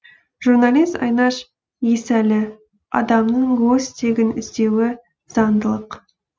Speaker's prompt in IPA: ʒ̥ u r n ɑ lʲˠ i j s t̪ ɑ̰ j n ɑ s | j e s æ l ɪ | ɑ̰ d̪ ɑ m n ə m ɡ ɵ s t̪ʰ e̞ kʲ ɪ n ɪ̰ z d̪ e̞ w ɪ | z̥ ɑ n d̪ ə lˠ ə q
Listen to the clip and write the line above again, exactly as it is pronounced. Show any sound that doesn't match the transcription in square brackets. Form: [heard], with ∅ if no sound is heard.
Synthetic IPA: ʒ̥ u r n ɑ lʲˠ i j s t̪ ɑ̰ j n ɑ [ʃ] | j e s æ l ɪ | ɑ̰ d̪ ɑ m n ə [ɴ] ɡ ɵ s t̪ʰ e̞ [ɡʲ] ɪ n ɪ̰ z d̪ e̞ w ɪ | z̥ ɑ n d̪ ə lˠ ə q